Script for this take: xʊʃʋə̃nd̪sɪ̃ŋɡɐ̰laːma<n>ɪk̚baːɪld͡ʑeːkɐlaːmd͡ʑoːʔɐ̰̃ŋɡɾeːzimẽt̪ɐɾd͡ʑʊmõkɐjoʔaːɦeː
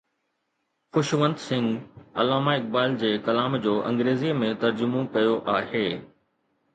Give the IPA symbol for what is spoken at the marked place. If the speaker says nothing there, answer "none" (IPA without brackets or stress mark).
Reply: none